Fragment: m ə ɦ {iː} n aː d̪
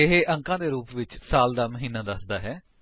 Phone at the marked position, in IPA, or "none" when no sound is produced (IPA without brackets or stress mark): iː